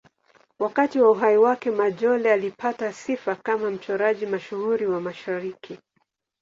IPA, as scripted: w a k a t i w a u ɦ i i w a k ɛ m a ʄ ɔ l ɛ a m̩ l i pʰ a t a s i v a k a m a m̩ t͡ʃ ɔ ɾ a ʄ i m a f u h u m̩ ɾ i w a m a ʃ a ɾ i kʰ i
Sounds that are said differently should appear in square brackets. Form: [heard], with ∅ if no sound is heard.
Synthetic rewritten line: w a k a t i w a u ɦ [a] i w a k ɛ m a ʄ ɔ l ɛ a [∅] l i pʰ a t a s i [f] a k a m a m̩ t͡ʃ ɔ ɾ a ʄ i m a [ʃ] u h u [∅] ɾ i w a m a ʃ a ɾ i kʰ i